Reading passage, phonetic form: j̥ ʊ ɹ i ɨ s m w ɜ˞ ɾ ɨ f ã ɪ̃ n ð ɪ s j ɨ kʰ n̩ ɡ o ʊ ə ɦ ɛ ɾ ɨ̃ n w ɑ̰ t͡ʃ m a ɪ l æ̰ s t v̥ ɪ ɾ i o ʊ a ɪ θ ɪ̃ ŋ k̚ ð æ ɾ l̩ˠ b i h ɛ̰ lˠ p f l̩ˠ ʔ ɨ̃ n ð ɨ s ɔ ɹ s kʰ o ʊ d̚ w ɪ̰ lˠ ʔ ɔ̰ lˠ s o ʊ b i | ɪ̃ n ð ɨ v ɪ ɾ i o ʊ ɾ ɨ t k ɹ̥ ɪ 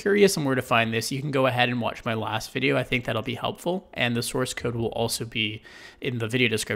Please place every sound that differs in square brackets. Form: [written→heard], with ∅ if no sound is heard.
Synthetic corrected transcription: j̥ ʊ ɹ i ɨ s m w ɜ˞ ɾ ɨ f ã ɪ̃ n ð ɪ s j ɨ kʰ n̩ ɡ o ʊ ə ɦ ɛ ɾ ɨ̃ n w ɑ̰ t͡ʃ m a ɪ l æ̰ s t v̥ ɪ ɾ i o ʊ a ɪ θ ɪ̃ ŋ k̚ ð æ ɾ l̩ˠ b i h ɛ̰ lˠ p f l̩ˠ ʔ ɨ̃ n ð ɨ s ɔ ɹ s kʰ o ʊ d̚ w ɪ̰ lˠ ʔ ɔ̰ lˠ s o ʊ b i | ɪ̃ n ð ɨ v ɪ ɾ i o ʊ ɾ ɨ [t→s] k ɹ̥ ɪ

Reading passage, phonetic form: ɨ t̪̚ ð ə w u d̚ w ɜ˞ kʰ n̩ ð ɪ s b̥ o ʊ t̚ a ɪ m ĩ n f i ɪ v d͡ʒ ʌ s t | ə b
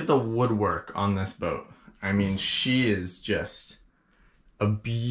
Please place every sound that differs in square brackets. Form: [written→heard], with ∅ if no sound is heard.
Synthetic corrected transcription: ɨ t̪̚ ð ə w [u→ʊ] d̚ w ɜ˞ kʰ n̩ ð ɪ s b̥ o ʊ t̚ a ɪ m ĩ n [f→ʃ] i ɪ [v→z] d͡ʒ ʌ s t | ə b

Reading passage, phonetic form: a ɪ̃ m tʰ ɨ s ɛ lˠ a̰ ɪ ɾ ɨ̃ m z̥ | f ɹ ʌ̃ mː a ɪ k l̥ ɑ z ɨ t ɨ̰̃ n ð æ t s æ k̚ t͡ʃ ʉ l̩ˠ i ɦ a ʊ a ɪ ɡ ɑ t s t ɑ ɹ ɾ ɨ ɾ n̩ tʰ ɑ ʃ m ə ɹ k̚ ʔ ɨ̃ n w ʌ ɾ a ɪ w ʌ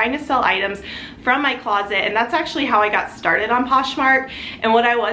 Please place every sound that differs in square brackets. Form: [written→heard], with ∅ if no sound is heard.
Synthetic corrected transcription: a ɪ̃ [m→ŋ] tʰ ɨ s ɛ lˠ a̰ ɪ ɾ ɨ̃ m z̥ | f ɹ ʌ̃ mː a ɪ [k→kʰ] l̥ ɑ z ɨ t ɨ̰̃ n ð æ t s æ k̚ t͡ʃ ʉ l̩ˠ i ɦ a ʊ a ɪ ɡ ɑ t s t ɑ ɹ ɾ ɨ ɾ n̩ [tʰ→pʰ] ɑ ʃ m [ə→ɑ] ɹ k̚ ʔ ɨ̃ n w ʌ ɾ a ɪ w ʌ

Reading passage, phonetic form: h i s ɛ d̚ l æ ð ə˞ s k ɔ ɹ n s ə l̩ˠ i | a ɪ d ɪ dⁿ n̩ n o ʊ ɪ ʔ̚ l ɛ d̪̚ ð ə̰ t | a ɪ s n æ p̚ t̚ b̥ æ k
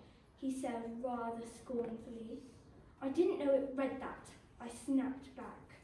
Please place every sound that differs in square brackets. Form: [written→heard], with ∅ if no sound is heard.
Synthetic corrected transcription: h i s ɛ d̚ [l→ɹ] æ ð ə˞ s k ɔ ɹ n [s→f] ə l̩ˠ i | a ɪ d ɪ dⁿ n̩ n o ʊ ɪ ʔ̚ [l→ɹ] ɛ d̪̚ ð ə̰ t | a ɪ s n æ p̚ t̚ b̥ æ k

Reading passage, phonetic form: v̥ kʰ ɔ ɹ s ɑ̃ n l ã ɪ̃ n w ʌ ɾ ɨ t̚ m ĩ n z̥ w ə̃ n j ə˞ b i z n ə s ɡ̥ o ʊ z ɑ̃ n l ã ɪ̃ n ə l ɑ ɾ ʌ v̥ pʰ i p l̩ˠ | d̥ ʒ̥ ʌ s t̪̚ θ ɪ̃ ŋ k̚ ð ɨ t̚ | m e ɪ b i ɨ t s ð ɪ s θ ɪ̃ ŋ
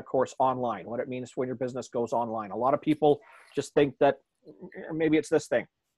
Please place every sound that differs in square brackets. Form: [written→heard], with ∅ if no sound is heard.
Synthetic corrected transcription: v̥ kʰ ɔ ɹ s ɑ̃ n l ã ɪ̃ n w ʌ ɾ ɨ t̚ m ĩ n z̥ w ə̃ n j ə˞ b [i→ɪ] z n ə s ɡ̥ o ʊ z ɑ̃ n l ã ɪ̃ n ə l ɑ ɾ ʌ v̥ pʰ i p l̩ˠ | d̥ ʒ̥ ʌ s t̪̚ θ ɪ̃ ŋ k̚ ð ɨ t̚ | m e ɪ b i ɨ t s ð ɪ s θ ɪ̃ ŋ

